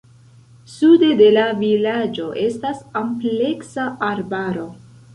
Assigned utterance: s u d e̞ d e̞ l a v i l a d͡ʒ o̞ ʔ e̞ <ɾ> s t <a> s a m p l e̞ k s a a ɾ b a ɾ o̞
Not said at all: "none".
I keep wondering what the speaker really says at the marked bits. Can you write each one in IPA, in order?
none, a

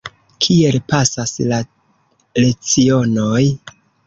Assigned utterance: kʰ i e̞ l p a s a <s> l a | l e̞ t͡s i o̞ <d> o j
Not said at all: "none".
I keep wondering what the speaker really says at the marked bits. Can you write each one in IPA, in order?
s, n

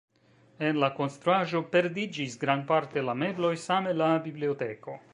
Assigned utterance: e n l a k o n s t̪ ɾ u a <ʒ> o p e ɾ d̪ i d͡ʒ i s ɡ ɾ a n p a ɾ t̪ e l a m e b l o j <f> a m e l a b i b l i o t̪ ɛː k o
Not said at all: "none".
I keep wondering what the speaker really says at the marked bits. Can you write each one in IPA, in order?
ʒ, s

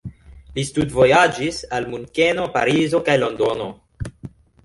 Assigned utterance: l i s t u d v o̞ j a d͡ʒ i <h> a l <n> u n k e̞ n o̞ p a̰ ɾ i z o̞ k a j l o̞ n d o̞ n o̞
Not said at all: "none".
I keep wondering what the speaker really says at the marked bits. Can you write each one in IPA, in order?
s, m

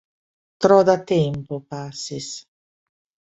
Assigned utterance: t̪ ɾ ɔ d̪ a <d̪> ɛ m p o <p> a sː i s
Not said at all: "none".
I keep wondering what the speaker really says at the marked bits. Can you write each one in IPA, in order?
t̪, p

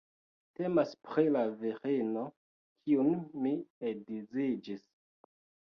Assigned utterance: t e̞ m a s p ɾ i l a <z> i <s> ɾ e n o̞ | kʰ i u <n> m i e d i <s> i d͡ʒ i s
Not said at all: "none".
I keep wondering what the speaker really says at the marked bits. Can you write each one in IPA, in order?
v, none, n, z

